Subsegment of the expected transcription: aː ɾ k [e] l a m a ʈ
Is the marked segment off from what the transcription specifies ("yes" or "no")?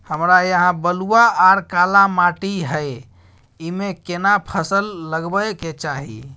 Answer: yes